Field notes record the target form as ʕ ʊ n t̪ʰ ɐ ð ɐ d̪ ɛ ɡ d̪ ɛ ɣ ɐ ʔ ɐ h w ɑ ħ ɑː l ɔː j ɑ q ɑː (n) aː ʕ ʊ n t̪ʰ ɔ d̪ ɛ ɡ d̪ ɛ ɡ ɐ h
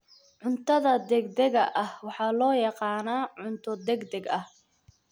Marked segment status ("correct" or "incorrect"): correct